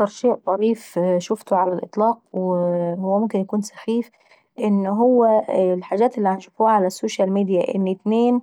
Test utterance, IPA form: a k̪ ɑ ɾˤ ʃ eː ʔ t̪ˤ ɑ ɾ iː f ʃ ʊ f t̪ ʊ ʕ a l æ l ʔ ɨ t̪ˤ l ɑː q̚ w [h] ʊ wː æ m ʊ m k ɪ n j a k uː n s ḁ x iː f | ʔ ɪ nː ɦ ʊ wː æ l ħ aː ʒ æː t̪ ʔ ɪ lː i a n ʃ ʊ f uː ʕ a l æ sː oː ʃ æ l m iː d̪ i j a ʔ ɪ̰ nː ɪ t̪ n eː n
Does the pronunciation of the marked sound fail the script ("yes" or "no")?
no